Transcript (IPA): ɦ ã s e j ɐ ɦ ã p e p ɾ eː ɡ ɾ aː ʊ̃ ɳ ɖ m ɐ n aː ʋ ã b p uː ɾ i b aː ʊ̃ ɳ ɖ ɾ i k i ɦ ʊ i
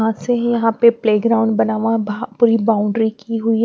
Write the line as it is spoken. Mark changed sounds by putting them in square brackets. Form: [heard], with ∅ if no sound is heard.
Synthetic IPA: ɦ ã s e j ɐ ɦ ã p e p [l] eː ɡ ɾ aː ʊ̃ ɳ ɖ [b] ɐ n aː ʋ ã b p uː ɾ i b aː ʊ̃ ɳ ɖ ɾ i k i ɦ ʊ i